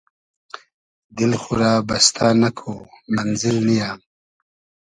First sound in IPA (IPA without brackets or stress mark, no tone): d̪